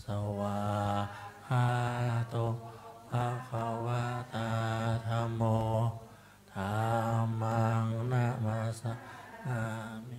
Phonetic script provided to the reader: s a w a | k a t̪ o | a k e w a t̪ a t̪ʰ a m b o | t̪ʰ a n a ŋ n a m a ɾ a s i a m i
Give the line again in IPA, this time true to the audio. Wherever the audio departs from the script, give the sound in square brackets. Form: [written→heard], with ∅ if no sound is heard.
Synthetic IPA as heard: s a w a | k a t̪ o | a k [e→a] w a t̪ a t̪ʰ a m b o | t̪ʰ a [n→m] a ŋ n a m a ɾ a s [i→a] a m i